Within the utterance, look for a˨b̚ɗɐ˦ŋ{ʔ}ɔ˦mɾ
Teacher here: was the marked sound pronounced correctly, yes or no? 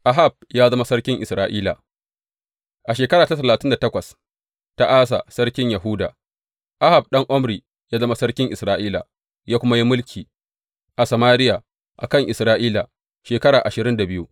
yes